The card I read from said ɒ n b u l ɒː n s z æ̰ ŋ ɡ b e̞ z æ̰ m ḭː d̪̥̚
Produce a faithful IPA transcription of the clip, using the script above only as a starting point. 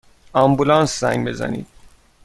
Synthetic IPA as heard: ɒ m b u l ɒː n s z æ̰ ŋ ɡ b e̞ z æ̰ n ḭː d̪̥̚

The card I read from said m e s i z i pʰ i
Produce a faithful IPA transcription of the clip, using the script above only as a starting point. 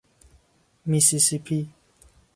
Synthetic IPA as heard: m i s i s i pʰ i

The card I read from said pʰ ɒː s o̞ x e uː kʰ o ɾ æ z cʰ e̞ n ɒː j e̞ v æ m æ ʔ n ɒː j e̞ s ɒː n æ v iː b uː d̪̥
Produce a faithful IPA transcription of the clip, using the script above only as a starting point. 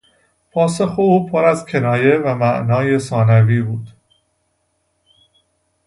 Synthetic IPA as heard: pʰ ɒː s o̞ x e uː pʰ o ɾ æ z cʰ e̞ n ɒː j e̞ v æ m æ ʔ n ɒː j e̞ s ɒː n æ v iː b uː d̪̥

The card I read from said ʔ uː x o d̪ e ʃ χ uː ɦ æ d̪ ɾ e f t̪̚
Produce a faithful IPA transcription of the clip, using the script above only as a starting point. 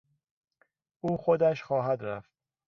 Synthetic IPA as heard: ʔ uː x o d̪ æ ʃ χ ɒː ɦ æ d̪ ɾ æ f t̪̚

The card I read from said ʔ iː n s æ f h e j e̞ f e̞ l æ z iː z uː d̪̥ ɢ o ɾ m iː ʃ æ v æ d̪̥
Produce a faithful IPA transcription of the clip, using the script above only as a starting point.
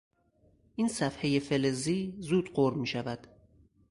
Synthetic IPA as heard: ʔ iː n s æ f h e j e̞ f e̞ l e z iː z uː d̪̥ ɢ o ɾ m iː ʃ æ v æ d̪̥

